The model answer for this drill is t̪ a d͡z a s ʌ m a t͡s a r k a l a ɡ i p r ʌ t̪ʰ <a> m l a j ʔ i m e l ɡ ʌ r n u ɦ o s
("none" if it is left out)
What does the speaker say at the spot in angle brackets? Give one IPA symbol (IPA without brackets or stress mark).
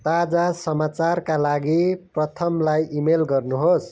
ʌ